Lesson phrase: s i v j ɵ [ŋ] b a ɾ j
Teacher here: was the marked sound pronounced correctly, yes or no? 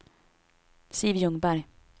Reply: yes